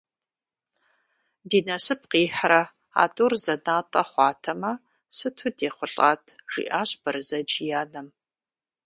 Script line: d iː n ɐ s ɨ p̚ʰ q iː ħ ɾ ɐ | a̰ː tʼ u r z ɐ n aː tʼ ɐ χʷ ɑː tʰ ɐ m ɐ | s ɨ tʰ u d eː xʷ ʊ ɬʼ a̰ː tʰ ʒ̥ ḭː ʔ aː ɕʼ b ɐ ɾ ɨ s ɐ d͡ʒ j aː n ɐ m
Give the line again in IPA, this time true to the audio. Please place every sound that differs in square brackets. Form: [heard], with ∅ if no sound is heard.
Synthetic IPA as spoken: d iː n ɐ s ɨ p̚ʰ q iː ħ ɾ ɐ | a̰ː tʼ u r z ɐ n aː tʼ ɐ χʷ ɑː tʰ ɐ m ɐ | s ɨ tʰ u d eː [χʷ] ʊ ɬʼ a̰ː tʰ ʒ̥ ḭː ʔ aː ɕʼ b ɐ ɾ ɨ [z] ɐ d͡ʒ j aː n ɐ m

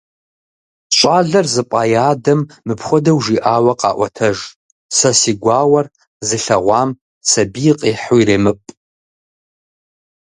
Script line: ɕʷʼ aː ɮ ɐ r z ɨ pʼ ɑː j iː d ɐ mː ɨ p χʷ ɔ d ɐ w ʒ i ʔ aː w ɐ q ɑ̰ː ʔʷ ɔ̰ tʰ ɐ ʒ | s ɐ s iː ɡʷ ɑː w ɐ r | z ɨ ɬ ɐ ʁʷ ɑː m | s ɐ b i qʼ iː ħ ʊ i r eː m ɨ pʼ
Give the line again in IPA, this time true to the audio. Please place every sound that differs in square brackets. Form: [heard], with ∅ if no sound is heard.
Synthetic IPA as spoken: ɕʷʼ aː ɮ ɐ r z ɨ pʼ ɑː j [aː] d ɐ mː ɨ p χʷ ɔ d ɐ w ʒ i ʔ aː w ɐ q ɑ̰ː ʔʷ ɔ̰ tʰ ɐ ʒ | s ɐ s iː ɡʷ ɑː w ɐ r | z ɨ ɬ ɐ ʁʷ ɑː m | s ɐ b i qʼ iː ħ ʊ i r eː m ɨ pʼ

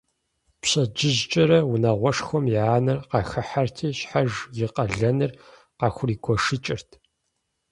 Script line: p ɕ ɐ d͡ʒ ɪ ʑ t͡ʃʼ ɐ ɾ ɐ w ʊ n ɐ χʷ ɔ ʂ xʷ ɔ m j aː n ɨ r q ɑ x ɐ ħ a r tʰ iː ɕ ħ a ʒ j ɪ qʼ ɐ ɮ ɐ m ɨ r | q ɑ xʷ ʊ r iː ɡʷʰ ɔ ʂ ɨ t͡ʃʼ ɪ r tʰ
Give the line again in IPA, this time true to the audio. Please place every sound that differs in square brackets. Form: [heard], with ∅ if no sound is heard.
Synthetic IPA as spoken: p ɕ ɐ d͡ʒ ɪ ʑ t͡ʃʼ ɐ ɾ ɐ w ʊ n ɐ [ʁʷ] ɔ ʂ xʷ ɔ m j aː n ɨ r q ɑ x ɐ ħ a r tʰ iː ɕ ħ a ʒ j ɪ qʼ ɐ ɮ ɐ [n] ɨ r | q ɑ xʷ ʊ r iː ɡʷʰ ɔ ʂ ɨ t͡ʃʼ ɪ r tʰ

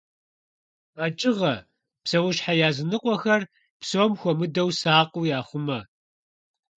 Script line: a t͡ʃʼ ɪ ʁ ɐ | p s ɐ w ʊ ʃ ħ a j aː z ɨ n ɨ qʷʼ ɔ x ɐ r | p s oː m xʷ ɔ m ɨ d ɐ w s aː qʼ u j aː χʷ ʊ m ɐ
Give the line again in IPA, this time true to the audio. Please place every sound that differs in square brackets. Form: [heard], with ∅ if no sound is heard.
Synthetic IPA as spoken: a t͡ʃʼ ɪ ʁ ɐ | p s ɐ w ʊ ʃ ħ a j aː z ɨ n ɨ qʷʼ ɔ x ɐ r | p s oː m xʷ ɔ m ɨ d ɐ w s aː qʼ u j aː χʷ ʊ m ɐ

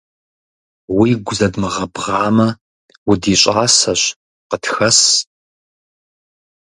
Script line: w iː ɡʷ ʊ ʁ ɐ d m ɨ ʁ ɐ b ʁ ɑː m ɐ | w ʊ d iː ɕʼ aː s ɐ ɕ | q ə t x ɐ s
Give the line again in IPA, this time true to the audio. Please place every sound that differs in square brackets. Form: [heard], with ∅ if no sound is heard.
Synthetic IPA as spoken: w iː ɡʷ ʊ [z] ɐ d m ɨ ʁ ɐ b ʁ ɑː m ɐ | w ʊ d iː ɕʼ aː s ɐ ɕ | q ə t x ɐ s

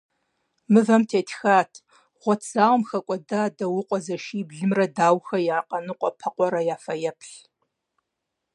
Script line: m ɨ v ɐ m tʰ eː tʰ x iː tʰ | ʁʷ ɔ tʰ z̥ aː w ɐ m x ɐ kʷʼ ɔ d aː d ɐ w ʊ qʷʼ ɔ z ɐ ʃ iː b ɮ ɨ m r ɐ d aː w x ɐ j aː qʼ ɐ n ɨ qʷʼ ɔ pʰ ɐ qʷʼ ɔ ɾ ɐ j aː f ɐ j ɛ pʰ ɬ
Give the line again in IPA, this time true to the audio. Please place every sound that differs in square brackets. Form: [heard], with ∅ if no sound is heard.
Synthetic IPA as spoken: m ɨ v ɐ m tʰ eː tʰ x [aː] tʰ | ʁʷ ɔ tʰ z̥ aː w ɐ m x ɐ kʷʼ ɔ d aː d ɐ w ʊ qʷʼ ɔ z ɐ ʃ iː b ɮ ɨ m r ɐ d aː w x ɐ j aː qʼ ɐ n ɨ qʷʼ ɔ pʰ ɐ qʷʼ ɔ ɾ ɐ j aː f ɐ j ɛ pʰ ɬ

